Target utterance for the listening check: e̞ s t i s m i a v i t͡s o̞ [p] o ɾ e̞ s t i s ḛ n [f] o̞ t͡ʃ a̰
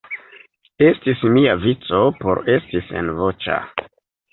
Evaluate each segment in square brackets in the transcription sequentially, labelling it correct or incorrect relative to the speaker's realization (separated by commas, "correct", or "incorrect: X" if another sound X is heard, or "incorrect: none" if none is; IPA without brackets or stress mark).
correct, incorrect: v